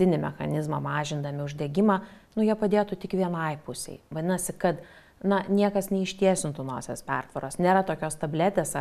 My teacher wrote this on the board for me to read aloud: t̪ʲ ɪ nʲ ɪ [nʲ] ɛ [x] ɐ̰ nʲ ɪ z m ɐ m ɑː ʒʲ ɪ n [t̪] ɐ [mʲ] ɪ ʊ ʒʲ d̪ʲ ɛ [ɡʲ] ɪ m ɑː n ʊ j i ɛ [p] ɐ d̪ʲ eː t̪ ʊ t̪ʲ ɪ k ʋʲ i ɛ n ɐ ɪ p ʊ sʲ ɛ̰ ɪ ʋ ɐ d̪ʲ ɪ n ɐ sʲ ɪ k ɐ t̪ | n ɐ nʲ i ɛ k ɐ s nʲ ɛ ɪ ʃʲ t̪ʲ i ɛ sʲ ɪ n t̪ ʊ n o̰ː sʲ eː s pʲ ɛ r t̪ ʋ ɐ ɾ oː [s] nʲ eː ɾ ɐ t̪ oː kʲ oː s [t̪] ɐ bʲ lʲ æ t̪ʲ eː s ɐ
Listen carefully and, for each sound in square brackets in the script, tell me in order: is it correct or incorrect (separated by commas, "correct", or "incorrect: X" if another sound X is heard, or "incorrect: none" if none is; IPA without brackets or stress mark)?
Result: incorrect: mʲ, correct, incorrect: d̪, correct, correct, correct, correct, correct